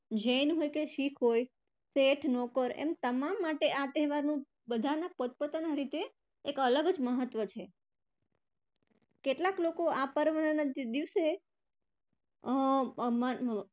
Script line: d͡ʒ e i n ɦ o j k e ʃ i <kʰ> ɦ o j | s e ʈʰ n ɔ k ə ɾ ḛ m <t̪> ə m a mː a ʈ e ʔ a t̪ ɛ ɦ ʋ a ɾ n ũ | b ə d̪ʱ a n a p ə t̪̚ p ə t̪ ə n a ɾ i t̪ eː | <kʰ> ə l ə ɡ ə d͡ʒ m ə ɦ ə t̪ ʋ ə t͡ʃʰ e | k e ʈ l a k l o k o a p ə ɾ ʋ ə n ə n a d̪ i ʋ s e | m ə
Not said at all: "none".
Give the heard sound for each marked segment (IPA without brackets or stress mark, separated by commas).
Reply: kʰ, t̪, k